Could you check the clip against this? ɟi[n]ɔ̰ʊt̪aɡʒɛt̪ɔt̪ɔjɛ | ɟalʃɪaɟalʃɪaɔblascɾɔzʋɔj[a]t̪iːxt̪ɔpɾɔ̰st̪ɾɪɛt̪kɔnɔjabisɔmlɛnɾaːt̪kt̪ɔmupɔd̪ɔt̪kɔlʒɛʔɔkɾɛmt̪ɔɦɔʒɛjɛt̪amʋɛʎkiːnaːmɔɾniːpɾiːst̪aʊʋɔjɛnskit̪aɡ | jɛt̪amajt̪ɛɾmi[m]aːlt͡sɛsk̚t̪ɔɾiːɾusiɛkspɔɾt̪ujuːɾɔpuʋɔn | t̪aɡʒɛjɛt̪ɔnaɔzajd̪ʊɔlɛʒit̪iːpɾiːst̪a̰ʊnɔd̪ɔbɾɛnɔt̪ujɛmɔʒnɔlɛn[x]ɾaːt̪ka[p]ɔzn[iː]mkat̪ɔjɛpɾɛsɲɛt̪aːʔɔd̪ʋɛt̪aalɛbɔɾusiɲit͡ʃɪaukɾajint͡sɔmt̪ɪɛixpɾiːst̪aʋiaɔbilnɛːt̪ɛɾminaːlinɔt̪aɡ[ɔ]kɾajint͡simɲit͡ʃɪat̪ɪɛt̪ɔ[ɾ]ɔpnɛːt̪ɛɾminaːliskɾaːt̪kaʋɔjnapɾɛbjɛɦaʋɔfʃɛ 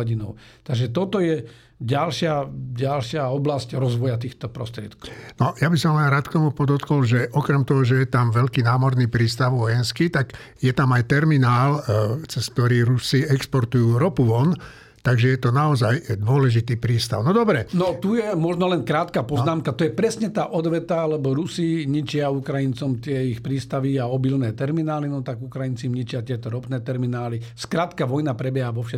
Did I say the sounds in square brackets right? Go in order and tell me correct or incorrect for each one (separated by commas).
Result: correct, correct, incorrect, incorrect, correct, incorrect, incorrect, correct